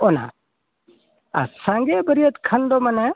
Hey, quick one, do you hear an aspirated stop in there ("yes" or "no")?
yes